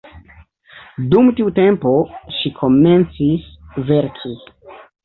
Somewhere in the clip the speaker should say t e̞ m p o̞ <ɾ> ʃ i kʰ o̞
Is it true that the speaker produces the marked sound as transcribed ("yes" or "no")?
no